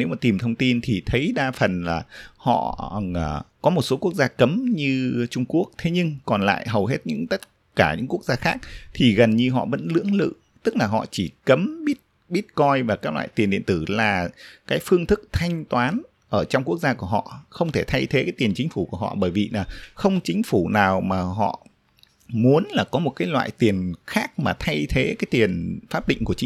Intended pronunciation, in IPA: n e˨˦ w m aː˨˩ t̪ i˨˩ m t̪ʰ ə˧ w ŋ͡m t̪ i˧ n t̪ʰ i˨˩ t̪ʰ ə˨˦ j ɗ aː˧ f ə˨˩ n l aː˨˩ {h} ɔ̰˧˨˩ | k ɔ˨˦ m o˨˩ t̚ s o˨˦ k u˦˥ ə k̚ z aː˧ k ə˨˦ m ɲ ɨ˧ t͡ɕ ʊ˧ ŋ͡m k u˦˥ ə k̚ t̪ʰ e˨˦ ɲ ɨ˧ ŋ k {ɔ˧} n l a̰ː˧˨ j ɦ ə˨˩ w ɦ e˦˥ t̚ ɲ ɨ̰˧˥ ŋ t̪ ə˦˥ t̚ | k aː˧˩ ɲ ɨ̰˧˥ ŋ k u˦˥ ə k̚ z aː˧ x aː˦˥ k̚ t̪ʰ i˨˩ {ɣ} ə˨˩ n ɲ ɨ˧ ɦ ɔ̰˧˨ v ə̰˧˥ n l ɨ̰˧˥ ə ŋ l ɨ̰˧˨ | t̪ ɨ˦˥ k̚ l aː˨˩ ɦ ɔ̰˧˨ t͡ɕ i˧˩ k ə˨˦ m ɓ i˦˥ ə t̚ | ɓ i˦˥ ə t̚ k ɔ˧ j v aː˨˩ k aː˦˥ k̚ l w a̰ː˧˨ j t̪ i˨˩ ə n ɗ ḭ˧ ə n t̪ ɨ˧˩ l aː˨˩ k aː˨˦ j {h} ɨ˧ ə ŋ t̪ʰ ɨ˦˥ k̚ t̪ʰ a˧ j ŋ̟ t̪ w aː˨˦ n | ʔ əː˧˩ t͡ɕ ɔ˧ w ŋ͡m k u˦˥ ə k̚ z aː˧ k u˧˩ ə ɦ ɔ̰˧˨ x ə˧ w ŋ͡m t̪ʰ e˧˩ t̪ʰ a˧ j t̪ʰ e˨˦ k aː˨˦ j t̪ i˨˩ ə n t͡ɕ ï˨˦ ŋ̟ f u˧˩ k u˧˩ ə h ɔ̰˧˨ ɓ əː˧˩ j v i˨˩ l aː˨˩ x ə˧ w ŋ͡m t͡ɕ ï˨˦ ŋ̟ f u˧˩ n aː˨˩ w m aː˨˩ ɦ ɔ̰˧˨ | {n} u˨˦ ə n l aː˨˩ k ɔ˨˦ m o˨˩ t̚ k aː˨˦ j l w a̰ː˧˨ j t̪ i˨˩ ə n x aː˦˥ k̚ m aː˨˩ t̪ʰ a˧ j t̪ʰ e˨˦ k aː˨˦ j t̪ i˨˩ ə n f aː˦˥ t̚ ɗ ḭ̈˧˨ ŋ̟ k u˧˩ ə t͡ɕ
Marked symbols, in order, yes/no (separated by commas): yes, no, yes, no, no